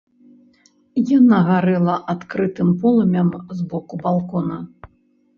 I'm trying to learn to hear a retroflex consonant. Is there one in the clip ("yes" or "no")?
no